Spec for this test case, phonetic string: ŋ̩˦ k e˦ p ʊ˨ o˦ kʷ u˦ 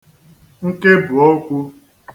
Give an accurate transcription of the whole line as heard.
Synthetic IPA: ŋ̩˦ k e˦ b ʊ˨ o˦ kʷ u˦